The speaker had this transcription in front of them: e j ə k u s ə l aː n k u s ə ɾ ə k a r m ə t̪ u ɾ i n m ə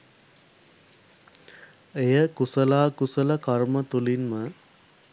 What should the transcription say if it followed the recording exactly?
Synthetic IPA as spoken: e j ə k u s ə l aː k u s ə l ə k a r m ə t̪ u l i n m ə